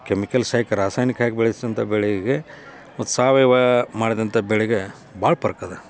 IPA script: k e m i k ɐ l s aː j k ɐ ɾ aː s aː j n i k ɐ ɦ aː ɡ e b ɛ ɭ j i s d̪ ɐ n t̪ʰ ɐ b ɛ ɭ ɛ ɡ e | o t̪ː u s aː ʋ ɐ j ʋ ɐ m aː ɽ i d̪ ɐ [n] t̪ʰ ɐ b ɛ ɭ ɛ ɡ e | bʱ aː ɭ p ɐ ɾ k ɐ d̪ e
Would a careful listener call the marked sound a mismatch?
no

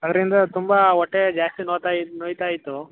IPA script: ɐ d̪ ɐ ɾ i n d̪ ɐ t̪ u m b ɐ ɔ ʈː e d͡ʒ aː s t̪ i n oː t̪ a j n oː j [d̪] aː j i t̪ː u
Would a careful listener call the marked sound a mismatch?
yes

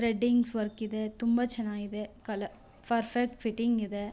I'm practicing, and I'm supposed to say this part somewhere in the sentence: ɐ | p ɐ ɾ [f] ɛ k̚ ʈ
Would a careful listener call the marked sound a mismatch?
no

